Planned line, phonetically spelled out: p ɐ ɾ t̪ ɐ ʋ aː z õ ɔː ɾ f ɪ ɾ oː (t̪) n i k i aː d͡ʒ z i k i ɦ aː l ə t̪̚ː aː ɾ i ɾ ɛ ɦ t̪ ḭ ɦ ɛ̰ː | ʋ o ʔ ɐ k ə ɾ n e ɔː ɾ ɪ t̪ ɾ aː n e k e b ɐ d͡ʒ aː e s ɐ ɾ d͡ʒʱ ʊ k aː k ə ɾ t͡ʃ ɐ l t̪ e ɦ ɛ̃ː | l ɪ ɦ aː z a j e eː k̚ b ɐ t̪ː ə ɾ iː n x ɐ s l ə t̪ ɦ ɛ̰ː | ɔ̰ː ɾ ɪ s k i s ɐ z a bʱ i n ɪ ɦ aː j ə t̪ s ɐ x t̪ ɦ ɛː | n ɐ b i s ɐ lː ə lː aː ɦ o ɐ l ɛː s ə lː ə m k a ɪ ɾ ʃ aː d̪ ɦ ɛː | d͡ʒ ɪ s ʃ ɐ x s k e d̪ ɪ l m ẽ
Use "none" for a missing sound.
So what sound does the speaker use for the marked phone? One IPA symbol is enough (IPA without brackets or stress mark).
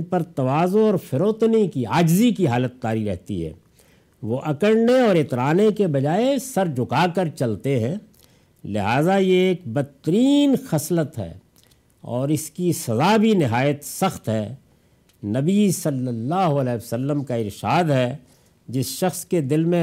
t̪